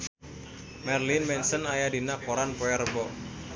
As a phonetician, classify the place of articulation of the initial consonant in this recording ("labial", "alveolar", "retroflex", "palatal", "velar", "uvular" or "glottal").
labial